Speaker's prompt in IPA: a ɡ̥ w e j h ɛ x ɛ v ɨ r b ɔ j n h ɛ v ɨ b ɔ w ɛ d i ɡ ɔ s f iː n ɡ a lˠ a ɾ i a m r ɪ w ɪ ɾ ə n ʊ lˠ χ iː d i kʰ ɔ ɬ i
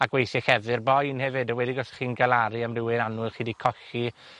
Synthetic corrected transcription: a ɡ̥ w e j θ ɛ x ɛ v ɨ r b ɔ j n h ɛ v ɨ d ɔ w ɛ d i ɡ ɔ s χ iː n ɡ a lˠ a ɾ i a m r ɪ w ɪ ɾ a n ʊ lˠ χ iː d i kʰ ɔ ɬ i